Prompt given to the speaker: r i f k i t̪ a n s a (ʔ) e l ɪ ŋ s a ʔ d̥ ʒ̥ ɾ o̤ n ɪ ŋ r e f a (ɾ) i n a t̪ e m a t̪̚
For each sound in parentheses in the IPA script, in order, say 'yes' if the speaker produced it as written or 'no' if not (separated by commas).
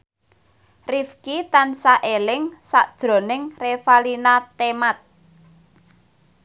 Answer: yes, no